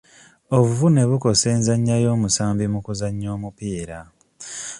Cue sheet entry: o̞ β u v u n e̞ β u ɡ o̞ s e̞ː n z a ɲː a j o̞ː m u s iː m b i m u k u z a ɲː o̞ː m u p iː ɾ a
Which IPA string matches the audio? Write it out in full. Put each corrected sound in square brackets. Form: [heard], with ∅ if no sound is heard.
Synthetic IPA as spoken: o̞ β u v u n e̞ β u [k] o̞ s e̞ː n z a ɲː a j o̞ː m u s [aː] m b i m u k u z a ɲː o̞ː m u p iː ɾ a

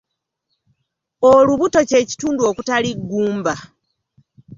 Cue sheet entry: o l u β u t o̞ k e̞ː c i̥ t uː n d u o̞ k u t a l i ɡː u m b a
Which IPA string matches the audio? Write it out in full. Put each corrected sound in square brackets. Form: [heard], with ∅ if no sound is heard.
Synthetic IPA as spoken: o l u β u t o̞ [c] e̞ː c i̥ t uː n d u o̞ k u t a l i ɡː [uː] m b a

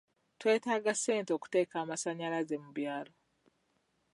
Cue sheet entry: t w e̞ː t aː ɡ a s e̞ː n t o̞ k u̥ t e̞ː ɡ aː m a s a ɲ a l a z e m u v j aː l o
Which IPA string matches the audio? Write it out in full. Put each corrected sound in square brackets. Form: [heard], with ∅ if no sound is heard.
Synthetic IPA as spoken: t w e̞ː t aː ɡ a s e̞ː n t o̞ k u̥ t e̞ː [k] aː m a s a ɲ a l a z e m u [β] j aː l o

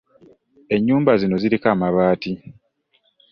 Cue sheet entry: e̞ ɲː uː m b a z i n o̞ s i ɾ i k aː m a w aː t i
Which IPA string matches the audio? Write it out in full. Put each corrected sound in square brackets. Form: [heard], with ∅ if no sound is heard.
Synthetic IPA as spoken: e̞ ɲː uː m b a z i n o̞ [z] i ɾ i k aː m a [β] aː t i

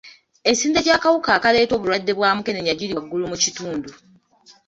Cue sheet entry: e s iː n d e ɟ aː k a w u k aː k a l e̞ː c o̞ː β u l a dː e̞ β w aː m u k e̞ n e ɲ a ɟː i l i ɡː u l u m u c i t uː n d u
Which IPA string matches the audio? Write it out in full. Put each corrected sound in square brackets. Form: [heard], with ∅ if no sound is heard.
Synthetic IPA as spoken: e s iː n d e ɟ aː k a w u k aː k a l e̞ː [t] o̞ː β u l a dː e̞ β w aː m u k e̞ n e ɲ a [ɟ] i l i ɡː u l u m u c i t uː n d u

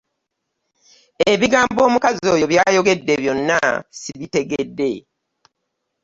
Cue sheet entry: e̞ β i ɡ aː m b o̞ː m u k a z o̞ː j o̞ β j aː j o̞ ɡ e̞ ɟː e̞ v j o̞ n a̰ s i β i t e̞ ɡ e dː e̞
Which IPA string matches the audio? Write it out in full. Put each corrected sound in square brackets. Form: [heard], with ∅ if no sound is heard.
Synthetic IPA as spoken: e̞ β i ɡ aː m b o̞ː m u k a z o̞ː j o̞ β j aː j o̞ ɡ e̞ [dː] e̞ [β] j o̞ [nː] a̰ s i β i t e̞ ɡ e dː e̞

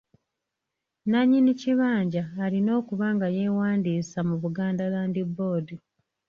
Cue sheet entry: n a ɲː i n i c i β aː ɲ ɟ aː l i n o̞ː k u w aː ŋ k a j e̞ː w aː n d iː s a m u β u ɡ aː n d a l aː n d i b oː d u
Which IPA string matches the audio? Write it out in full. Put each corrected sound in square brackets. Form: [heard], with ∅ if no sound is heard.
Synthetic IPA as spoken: n a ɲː i n i c i β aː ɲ ɟ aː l i n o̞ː k u [β] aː ŋ [ɡ] a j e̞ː w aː n d iː s a m u β u ɡ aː n d a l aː n d i b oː d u

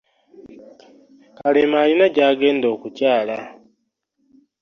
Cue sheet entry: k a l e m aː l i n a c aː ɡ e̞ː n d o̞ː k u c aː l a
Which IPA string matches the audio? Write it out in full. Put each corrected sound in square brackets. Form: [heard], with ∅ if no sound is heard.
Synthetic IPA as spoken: k a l e m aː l i n a [ɟ] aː ɡ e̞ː n d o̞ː k u c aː l a

